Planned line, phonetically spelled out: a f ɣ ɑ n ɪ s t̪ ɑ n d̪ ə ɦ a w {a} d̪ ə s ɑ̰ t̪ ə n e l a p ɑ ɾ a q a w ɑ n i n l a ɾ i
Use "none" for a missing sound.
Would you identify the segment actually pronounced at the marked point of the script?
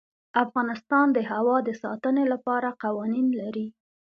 ɑ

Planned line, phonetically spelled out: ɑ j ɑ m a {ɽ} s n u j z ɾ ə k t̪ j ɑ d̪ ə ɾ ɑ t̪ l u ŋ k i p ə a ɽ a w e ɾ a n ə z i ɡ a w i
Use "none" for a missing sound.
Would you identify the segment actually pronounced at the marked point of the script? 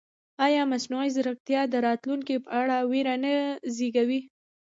none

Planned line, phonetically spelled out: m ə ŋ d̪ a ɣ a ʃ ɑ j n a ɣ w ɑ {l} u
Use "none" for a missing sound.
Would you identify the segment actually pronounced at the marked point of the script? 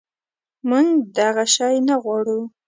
ɽ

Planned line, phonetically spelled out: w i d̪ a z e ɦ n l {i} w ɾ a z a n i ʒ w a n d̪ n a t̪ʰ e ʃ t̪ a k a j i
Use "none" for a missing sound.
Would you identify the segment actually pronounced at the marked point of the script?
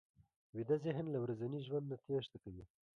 a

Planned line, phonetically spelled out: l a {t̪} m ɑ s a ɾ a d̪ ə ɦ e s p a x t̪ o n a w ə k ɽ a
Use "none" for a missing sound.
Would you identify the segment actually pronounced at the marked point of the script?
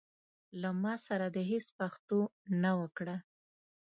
none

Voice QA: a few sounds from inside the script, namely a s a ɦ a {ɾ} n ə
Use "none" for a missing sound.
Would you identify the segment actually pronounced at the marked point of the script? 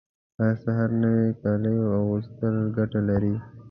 ɾ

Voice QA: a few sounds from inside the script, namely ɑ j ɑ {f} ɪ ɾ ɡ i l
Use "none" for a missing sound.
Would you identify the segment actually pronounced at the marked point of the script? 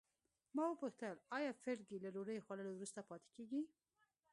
f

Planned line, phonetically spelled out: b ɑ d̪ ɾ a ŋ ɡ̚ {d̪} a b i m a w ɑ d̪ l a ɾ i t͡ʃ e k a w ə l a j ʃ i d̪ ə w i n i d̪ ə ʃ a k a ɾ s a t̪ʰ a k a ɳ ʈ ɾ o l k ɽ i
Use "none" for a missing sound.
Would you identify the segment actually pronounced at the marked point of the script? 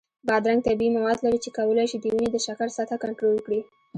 t̪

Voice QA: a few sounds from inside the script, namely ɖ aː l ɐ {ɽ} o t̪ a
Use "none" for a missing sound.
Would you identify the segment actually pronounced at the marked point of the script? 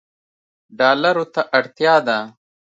ɾ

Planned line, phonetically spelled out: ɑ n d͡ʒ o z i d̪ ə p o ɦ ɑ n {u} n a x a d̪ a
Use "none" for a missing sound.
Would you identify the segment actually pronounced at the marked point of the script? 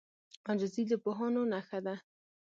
o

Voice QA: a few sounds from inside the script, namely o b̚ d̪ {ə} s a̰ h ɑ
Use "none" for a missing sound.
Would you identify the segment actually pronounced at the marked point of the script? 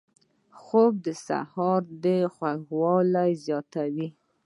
ə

